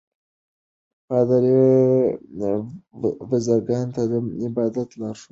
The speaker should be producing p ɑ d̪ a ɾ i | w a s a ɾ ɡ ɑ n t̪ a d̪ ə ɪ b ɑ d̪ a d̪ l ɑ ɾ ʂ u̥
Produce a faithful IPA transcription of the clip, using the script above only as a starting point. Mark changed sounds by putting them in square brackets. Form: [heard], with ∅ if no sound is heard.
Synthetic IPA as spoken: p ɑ d̪ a ɾ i | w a [z] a ɾ ɡ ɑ n t̪ a d̪ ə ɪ b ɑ d̪ a [t̪] l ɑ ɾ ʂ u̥